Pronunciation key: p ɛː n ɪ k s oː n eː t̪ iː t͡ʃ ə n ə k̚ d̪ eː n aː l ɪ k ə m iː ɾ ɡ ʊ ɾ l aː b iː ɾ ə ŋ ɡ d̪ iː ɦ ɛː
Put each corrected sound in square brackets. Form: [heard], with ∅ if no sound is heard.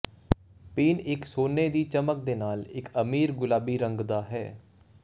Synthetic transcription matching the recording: p [iː] n ɪ k s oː n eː [d̪] iː t͡ʃ ə [m] ə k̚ d̪ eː n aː l ɪ k ə m iː ɾ ɡ ʊ [∅] l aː b iː ɾ ə ŋ ɡ d̪ [aː] ɦ ɛː